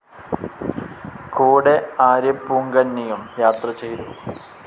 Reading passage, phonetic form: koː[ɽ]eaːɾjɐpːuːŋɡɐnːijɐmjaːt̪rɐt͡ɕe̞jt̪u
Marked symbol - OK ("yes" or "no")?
yes